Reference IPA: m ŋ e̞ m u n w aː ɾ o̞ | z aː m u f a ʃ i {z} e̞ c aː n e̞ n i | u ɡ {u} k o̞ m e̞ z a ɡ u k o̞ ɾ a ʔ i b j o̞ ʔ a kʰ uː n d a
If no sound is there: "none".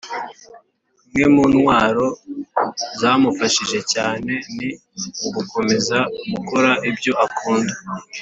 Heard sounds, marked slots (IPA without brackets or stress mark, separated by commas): ʒ, u